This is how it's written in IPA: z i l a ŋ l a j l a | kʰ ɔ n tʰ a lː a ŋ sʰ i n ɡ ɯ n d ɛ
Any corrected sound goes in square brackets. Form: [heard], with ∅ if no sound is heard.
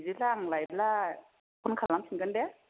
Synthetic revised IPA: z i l a ŋ l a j l a | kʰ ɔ n [kʰ] a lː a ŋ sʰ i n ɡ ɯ n d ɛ